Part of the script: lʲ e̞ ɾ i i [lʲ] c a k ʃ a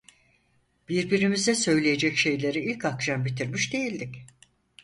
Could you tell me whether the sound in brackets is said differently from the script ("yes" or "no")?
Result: no